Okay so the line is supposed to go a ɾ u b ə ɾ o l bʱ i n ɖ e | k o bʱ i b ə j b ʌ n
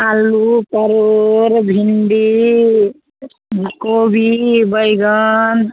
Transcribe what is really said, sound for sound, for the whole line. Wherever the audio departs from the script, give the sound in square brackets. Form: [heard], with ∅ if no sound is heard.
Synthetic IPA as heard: a [l] u [p] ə ɾ o [ɾ] bʱ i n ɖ [i] | k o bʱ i b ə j [ɡ] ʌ n